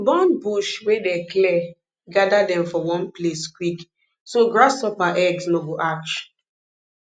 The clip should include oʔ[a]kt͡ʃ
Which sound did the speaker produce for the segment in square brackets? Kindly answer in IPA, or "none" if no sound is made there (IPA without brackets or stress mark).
a